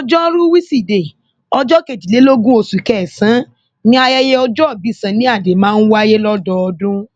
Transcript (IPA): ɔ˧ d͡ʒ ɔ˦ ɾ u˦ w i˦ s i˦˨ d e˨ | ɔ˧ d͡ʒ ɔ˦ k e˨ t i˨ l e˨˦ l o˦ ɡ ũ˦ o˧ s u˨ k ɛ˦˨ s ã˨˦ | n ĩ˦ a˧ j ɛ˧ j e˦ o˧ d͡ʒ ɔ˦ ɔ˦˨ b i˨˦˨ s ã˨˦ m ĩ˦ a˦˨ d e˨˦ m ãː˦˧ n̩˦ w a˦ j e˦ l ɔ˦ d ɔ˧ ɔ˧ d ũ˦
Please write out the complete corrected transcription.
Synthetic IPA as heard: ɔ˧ d͡ʒ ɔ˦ ɾ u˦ w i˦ s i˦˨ d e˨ | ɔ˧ d͡ʒ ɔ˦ k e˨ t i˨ l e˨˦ l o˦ ɡ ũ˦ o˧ s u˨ k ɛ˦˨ s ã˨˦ | n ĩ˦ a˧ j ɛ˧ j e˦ ɔ˧ d͡ʒ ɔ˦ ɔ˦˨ b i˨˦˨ s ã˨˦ n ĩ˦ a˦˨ d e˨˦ m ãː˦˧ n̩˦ w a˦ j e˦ l ɔ˦ d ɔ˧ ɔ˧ d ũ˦